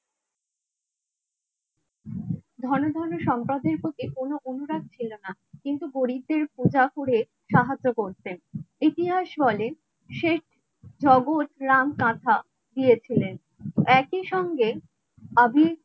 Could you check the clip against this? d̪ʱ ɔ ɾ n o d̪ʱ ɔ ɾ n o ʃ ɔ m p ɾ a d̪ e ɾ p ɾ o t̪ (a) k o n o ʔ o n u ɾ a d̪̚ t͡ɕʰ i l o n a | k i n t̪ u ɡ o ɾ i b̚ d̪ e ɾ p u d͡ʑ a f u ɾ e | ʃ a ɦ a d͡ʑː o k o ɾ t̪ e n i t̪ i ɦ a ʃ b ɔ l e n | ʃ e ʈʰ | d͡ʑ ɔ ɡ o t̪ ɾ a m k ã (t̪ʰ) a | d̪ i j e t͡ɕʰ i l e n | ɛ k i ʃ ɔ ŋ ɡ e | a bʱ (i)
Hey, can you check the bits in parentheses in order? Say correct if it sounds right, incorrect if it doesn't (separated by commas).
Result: incorrect, correct, correct